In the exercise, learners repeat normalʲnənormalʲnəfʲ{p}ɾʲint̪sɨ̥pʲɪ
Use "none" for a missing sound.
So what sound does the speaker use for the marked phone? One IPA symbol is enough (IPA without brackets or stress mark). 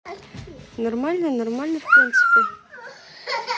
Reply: p